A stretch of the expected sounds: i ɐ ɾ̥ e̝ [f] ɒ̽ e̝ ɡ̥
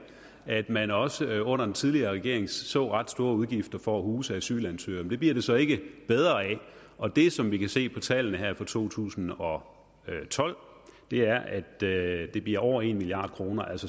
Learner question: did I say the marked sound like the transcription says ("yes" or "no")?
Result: no